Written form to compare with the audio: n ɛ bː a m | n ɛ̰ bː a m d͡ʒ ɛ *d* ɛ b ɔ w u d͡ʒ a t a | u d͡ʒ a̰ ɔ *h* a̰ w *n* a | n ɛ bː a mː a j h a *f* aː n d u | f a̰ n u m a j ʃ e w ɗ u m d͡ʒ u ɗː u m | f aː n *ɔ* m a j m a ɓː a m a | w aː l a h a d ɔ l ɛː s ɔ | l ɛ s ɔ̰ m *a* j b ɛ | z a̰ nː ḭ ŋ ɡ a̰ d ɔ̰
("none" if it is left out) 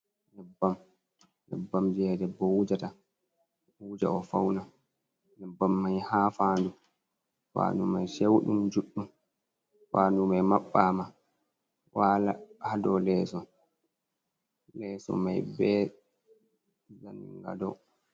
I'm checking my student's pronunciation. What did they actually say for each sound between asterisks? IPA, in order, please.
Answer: d, f, n, f, u, a

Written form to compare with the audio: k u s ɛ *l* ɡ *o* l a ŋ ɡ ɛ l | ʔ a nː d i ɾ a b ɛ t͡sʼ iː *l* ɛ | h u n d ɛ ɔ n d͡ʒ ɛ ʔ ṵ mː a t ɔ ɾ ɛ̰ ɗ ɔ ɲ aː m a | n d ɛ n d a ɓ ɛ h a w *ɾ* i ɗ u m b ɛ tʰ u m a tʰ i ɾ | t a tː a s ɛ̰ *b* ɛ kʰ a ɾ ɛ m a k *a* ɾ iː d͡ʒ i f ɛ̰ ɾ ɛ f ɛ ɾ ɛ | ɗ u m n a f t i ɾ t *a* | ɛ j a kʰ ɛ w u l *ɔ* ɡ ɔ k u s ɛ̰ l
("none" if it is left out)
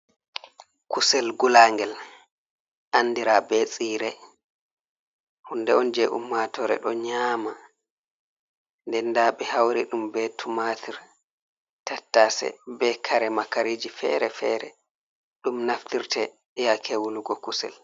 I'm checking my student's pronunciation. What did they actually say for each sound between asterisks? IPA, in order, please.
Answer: l, u, ɾ, ɾ, b, a, ɛ, u

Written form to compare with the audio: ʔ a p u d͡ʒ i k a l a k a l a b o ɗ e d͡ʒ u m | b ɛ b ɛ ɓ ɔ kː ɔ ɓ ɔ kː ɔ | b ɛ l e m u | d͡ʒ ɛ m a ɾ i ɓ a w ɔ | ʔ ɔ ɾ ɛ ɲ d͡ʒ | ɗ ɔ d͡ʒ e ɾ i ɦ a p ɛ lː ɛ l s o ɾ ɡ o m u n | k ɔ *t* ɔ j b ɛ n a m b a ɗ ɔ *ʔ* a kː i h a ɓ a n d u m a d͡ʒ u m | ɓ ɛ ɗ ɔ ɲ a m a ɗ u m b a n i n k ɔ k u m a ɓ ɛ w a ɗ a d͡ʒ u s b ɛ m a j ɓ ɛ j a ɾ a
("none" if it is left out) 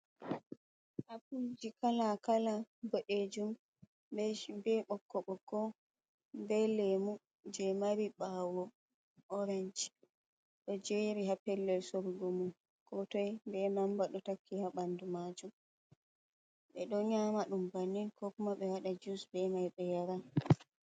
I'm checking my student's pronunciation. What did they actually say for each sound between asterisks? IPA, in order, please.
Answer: t, t

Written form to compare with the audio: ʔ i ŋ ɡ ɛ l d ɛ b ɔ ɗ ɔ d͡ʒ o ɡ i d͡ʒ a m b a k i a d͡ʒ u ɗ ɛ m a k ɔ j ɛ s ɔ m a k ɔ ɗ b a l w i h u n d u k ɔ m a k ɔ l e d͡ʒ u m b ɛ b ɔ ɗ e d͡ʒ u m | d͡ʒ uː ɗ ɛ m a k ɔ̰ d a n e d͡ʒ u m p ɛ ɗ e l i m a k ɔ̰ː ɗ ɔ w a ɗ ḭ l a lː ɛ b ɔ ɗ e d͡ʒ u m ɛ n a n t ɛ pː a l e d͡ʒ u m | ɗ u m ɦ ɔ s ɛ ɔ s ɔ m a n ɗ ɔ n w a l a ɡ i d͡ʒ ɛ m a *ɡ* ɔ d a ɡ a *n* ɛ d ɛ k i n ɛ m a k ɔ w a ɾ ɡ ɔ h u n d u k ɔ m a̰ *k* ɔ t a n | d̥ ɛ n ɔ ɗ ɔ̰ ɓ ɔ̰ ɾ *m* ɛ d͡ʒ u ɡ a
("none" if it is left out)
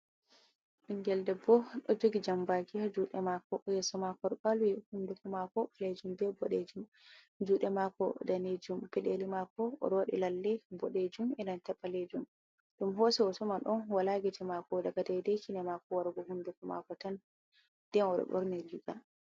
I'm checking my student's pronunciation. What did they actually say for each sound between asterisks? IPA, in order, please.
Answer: k, d, k, n

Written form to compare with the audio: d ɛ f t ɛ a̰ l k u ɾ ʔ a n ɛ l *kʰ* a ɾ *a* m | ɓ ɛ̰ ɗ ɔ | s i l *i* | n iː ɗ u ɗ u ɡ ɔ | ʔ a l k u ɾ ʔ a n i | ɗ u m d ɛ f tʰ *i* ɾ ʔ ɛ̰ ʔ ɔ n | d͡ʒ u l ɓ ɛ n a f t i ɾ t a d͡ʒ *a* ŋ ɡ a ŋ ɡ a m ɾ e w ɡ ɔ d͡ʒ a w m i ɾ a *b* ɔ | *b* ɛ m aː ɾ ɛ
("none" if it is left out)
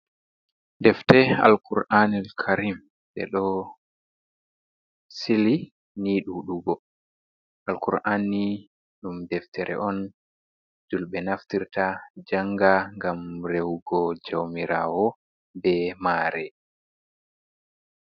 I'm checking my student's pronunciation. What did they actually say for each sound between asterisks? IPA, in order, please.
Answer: kʰ, i, i, ɛ, a, w, b

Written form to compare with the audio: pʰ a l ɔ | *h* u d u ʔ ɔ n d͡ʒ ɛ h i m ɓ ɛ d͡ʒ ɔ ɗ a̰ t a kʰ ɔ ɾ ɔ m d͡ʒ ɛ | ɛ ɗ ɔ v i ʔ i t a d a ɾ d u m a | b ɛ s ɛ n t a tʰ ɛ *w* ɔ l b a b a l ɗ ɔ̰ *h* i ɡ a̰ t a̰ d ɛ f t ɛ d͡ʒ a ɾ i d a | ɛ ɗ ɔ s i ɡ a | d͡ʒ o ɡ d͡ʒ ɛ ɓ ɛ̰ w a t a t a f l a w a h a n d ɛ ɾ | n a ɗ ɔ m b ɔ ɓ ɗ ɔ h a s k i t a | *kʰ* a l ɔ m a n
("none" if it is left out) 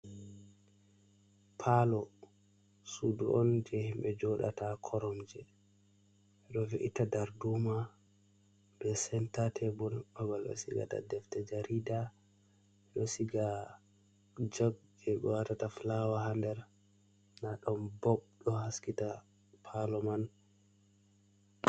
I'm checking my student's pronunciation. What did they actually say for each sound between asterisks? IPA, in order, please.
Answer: s, b, s, pʰ

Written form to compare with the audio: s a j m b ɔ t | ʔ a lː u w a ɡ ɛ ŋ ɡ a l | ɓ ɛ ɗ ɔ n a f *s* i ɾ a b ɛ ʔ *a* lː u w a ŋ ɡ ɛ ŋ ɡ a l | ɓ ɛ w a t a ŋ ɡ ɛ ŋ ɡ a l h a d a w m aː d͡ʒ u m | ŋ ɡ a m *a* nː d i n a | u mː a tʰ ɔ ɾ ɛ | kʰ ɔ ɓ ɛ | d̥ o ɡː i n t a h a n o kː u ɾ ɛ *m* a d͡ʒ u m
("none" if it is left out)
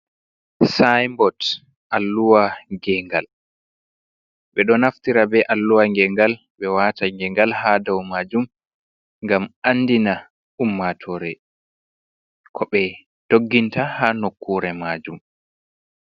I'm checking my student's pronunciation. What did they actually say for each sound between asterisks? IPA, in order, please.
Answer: t, a, a, m

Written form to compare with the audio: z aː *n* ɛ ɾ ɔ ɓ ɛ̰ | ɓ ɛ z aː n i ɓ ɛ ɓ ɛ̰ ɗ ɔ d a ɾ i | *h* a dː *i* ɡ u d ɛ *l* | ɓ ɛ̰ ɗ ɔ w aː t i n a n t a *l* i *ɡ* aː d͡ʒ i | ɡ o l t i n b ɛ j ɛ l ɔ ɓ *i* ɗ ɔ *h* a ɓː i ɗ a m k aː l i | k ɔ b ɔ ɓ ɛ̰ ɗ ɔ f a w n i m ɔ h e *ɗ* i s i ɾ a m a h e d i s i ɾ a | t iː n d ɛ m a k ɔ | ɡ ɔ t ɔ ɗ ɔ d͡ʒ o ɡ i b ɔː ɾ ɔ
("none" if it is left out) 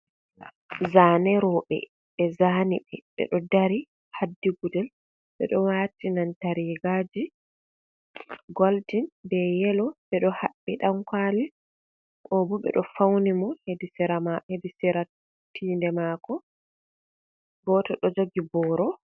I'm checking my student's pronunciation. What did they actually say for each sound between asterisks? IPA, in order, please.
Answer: n, h, i, l, ɾ, ɡ, ɛ, h, d

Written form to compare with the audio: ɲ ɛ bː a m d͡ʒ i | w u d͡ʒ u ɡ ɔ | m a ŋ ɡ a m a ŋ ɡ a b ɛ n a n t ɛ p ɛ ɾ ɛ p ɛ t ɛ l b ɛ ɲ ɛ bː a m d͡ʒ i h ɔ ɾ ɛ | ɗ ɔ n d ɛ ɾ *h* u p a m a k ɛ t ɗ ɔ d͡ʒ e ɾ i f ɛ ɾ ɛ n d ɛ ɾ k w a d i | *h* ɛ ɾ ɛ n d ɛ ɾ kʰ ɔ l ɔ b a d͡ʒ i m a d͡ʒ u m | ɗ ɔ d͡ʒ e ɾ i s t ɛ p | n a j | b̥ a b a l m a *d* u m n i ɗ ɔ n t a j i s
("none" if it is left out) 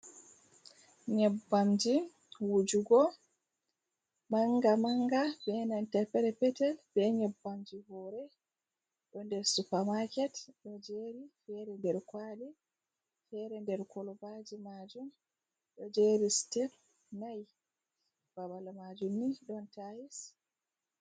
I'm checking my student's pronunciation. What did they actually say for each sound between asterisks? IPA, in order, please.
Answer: s, f, d͡ʒ

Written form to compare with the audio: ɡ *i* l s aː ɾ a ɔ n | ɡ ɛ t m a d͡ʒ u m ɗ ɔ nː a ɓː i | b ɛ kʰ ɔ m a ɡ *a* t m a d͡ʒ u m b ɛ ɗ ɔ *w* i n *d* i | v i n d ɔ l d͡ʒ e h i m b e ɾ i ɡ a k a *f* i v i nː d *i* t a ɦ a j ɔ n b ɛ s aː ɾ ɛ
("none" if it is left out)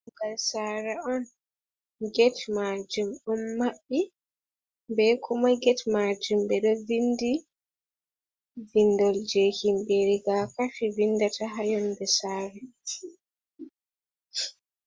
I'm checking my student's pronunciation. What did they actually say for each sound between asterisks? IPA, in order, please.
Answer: a, ɛ, v, d, f, a

